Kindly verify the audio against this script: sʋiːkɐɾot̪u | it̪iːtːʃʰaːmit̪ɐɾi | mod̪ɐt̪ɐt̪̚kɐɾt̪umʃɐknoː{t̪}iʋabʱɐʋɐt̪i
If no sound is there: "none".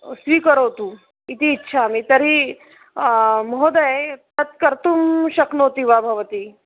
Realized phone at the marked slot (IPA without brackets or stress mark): t̪